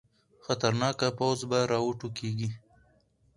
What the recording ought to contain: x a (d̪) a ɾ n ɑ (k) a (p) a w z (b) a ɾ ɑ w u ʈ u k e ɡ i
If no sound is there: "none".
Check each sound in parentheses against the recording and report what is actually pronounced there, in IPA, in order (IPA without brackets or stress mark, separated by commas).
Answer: t̪, k, p, b